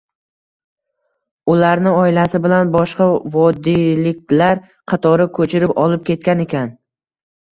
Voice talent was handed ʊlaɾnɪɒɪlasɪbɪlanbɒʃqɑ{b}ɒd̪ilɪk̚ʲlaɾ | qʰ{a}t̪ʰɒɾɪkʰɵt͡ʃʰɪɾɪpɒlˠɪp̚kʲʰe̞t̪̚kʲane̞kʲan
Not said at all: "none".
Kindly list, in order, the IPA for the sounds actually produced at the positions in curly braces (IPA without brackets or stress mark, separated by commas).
v, ɑ